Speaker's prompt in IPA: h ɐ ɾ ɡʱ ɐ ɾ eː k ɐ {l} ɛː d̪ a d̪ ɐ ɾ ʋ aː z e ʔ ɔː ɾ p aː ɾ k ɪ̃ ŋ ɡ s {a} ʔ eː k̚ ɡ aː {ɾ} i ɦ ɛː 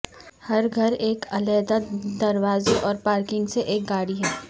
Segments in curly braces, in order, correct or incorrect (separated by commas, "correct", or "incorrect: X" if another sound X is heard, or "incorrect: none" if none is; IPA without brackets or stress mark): correct, incorrect: e, incorrect: ɽ